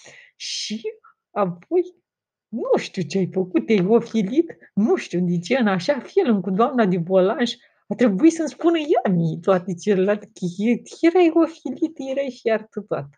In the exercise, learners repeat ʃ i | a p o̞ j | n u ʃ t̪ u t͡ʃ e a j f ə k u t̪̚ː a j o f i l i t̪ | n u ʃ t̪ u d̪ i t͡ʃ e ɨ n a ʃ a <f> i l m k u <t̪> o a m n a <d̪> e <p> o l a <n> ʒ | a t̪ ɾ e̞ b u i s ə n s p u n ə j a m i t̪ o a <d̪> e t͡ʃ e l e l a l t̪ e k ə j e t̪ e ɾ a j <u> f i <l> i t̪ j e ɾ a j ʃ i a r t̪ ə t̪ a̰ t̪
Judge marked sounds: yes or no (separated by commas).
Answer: yes, no, yes, no, yes, no, no, yes